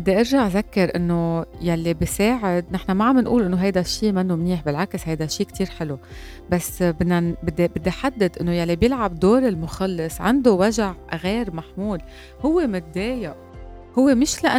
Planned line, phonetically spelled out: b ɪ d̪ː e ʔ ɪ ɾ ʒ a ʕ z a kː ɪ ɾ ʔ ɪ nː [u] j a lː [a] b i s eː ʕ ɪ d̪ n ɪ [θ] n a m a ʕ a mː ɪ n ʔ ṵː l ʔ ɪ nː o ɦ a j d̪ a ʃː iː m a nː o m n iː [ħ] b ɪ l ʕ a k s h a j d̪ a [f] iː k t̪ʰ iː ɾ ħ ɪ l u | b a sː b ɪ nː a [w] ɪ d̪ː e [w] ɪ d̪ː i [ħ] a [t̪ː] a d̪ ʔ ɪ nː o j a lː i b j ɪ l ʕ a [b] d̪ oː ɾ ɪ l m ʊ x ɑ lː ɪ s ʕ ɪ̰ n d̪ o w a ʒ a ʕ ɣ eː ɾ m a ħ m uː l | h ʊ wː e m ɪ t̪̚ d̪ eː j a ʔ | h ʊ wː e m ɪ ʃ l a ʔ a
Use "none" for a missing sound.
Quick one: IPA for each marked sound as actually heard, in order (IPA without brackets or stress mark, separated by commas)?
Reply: o, i, ħ, ħ, ʃ, b, b, ħ, d̪ː, b